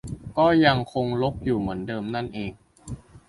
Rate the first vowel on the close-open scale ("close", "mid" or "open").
mid